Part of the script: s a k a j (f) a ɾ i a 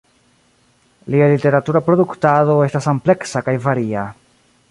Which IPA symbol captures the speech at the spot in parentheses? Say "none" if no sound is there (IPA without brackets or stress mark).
v